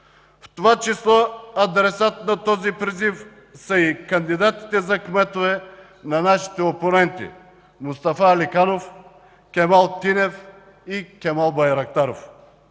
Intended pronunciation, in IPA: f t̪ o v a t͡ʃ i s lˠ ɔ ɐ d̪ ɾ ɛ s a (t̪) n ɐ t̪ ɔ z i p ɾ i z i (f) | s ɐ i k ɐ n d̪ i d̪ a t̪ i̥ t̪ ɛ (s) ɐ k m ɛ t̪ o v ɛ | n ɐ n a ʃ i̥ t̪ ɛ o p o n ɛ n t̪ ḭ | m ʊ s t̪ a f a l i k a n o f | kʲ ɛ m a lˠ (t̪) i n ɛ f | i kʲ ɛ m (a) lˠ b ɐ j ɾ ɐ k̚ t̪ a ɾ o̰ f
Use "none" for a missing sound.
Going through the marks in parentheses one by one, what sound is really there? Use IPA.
t̪, f, z, t̪, a

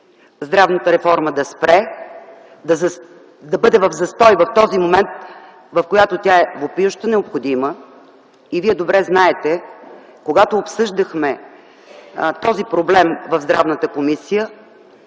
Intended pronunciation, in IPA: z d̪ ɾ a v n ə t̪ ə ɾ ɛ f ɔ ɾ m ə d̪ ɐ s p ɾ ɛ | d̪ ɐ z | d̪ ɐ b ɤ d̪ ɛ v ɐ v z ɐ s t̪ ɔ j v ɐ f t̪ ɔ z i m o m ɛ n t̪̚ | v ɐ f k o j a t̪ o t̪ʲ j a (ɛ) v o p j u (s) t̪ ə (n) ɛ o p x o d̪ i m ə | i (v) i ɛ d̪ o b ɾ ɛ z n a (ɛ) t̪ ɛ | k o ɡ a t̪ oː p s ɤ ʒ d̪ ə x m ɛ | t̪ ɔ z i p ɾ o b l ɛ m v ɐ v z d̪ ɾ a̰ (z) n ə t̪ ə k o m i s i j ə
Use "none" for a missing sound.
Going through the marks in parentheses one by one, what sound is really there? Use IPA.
ɛ, ʃ, n, v, ɛ, v

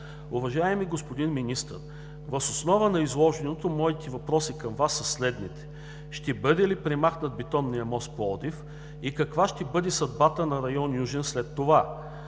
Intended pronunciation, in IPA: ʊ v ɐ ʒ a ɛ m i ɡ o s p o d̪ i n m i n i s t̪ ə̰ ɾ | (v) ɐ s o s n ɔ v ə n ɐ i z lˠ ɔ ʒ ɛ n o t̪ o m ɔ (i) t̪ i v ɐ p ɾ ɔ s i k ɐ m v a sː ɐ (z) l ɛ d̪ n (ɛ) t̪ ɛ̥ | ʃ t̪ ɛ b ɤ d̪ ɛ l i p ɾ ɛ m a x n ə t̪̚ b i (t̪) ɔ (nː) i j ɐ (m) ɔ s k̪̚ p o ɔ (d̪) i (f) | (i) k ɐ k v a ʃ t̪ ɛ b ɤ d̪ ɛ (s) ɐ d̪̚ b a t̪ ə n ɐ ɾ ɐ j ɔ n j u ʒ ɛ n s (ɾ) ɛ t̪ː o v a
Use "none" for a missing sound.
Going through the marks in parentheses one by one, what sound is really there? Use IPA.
v, i, s, i, t̪, nː, m, d̪, f, i, s, l

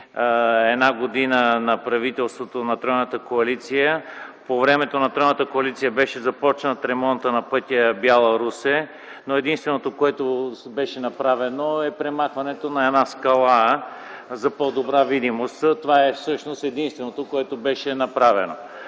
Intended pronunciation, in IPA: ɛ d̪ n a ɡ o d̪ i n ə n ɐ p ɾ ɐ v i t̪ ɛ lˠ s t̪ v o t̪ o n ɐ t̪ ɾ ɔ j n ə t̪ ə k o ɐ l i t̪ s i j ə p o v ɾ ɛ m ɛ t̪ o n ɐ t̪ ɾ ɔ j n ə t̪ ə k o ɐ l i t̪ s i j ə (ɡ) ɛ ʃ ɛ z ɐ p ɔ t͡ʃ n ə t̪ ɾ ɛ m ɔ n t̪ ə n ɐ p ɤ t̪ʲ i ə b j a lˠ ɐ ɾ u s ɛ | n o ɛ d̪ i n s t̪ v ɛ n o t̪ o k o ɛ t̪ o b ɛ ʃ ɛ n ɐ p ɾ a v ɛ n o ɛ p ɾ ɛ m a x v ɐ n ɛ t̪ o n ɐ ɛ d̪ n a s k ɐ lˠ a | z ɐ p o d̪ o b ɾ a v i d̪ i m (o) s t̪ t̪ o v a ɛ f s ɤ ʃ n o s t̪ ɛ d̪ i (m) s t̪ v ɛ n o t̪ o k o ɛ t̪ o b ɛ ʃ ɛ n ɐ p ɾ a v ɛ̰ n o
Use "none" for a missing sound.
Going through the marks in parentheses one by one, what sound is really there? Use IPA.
b, o, n

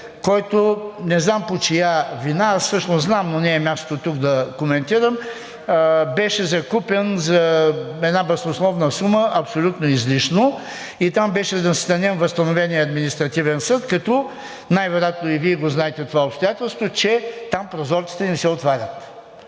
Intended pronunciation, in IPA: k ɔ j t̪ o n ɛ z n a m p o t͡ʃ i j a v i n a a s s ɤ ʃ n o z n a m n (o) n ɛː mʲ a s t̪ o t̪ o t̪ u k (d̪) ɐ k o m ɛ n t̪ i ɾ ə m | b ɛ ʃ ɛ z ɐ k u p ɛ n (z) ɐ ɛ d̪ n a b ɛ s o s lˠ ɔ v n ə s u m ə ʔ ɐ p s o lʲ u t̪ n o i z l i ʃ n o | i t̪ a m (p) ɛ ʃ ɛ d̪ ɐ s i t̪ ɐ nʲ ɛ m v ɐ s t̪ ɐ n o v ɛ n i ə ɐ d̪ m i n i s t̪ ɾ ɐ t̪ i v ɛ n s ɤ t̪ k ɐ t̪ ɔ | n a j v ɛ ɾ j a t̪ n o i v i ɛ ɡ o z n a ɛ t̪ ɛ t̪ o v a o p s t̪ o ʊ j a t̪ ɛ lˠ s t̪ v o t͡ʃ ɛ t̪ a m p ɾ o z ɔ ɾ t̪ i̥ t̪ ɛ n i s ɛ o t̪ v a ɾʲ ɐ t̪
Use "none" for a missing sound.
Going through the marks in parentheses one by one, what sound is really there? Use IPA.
o, d̪, z, b

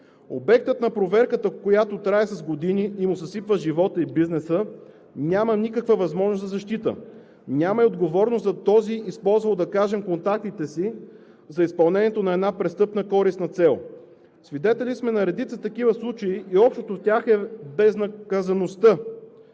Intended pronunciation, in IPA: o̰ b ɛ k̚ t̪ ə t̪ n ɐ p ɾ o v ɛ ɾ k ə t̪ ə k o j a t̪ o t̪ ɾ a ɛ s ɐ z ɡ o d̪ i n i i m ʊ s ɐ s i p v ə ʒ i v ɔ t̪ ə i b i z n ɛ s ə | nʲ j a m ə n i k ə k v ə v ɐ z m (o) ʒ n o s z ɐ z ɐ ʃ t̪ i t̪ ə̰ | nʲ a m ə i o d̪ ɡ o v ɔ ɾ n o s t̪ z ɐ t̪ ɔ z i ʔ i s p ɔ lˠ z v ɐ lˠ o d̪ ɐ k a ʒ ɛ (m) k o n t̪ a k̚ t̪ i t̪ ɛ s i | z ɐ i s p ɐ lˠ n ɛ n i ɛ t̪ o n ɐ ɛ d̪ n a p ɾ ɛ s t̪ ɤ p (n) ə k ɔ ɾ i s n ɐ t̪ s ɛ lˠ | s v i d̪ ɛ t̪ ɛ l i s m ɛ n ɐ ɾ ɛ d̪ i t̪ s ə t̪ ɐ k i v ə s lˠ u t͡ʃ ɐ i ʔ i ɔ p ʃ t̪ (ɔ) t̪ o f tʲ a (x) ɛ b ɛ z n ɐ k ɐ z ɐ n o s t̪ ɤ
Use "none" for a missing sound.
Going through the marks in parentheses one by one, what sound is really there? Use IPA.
ɔ, m, n, o, x

